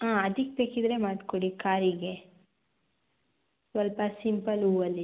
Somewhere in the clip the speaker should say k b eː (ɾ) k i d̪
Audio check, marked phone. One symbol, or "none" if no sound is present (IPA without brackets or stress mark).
none